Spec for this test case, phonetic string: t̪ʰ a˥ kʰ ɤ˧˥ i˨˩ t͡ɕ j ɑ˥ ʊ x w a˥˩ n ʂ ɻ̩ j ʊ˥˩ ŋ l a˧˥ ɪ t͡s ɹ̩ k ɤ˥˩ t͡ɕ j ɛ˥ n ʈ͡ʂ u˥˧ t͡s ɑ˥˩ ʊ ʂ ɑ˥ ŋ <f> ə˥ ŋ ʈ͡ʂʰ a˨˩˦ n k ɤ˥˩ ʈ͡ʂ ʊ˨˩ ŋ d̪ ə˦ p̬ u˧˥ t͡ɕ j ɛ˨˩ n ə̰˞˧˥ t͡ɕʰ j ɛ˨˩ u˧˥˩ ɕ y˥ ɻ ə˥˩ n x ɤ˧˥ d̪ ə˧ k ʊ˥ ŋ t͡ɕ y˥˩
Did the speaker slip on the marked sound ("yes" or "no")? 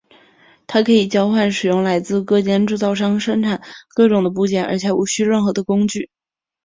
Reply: yes